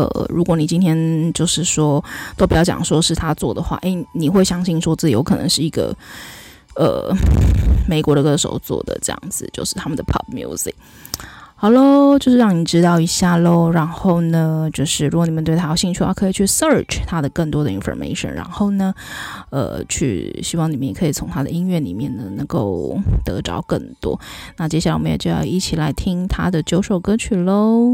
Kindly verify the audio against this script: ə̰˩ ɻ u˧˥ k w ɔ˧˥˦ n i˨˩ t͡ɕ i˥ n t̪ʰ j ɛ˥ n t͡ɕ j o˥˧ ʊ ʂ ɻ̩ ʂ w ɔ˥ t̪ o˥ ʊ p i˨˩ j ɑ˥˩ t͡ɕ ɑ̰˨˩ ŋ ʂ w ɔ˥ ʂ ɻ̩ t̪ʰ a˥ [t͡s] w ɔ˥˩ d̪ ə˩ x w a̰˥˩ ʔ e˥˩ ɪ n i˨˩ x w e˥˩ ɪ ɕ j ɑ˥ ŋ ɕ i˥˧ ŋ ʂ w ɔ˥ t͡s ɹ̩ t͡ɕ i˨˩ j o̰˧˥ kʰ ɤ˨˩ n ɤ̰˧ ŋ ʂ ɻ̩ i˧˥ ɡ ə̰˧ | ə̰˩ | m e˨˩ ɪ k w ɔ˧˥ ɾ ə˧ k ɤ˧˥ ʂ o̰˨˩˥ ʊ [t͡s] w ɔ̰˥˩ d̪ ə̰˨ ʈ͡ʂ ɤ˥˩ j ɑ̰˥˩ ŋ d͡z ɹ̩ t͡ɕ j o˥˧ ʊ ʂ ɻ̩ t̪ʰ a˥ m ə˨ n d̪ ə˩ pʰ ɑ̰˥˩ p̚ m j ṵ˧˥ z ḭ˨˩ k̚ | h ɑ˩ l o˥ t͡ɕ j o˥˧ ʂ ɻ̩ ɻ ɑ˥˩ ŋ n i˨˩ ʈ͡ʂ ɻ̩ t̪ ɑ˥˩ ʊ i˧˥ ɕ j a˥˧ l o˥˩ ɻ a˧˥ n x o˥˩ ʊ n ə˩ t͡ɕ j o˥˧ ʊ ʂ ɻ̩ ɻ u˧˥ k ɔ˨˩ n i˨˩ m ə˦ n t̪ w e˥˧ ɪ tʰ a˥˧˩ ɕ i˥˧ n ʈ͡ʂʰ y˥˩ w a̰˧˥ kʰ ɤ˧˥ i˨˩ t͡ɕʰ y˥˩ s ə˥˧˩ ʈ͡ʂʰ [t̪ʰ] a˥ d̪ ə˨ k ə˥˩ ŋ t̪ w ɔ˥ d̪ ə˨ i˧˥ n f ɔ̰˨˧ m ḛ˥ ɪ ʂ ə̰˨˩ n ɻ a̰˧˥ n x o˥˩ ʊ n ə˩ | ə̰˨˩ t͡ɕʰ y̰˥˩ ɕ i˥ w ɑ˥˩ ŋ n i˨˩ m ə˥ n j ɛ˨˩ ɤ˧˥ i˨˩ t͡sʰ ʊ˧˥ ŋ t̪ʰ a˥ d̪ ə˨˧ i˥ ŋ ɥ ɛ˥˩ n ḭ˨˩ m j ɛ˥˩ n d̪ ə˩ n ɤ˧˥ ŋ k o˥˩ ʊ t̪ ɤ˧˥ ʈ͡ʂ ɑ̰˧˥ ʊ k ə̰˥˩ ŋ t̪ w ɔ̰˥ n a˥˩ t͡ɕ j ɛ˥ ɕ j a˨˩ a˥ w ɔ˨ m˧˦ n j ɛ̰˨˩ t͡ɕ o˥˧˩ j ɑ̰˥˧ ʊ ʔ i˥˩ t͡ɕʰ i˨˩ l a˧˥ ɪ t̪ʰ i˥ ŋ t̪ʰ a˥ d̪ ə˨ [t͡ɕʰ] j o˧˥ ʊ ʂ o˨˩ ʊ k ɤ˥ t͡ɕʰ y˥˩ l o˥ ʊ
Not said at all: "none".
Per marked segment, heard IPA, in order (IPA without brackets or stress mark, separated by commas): t͡s, t͡s, t̪ʰ, t͡ɕ